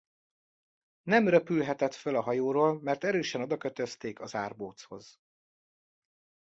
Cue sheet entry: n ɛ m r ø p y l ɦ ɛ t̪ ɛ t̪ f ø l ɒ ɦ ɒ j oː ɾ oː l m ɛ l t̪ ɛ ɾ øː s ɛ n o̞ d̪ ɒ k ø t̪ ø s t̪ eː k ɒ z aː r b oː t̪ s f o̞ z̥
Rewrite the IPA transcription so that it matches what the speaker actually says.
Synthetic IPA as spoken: n ɛ m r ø p y l ɦ ɛ t̪ ɛ t̪ f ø l ɒ ɦ ɒ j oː ɾ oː l m ɛ r t̪ ɛ ɾ øː ʃ ɛ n o̞ d̪ ɒ k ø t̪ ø s t̪ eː k ɒ z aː r b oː t̪ s h o̞ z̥